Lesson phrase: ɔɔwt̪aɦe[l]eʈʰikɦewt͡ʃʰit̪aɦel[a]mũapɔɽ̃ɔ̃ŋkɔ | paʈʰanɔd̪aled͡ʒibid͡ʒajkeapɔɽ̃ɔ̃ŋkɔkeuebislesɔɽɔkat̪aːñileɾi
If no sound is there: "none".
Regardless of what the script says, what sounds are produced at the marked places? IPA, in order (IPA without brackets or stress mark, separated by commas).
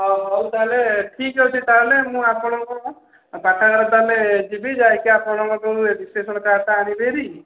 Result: l, e